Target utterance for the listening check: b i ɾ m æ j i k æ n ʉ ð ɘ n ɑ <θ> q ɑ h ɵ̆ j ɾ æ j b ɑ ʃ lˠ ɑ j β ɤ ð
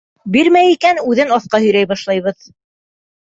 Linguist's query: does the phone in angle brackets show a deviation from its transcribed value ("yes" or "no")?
no